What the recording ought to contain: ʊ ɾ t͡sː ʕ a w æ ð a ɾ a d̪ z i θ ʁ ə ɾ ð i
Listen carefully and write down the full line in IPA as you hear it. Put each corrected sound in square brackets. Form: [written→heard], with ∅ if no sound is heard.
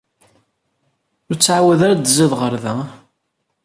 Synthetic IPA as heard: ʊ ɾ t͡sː ʕ a w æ ð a ɾ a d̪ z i [θ→ð] ʁ ə ɾ ð [i→æ]